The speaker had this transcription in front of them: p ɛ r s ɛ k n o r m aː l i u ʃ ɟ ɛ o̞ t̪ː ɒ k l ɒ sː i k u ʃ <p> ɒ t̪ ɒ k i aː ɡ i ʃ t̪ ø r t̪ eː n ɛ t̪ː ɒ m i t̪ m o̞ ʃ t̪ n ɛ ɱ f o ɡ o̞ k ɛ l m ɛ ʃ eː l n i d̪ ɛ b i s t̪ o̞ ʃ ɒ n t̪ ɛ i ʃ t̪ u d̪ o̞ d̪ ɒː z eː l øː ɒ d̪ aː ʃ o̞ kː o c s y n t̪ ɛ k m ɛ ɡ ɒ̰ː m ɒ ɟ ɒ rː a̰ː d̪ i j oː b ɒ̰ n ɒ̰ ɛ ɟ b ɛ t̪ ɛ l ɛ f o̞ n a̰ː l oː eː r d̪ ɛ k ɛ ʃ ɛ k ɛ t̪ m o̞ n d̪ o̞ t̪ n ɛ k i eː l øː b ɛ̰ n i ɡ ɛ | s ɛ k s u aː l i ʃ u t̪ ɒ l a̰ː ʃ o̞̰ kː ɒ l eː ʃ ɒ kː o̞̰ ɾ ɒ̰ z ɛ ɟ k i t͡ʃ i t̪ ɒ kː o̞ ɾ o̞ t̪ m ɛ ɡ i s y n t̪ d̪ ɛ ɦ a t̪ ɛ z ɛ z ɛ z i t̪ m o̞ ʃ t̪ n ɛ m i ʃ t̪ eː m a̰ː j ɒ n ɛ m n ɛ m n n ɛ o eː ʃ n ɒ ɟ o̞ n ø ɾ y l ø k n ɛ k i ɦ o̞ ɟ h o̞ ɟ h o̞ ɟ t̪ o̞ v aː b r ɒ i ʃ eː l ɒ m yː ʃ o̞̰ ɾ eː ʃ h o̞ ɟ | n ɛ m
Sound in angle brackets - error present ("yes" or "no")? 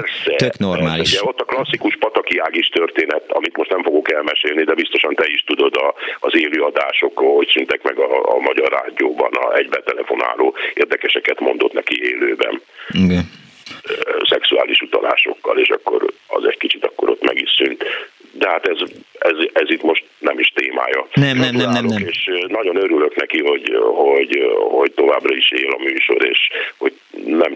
no